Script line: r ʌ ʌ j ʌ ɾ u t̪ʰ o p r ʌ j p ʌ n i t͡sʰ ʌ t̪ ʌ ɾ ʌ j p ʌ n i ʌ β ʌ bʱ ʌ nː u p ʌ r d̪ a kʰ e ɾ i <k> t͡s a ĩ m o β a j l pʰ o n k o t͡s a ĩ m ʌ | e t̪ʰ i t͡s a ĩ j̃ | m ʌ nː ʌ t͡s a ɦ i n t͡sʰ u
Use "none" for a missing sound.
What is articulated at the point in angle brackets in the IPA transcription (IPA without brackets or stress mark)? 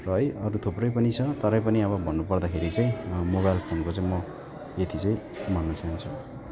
none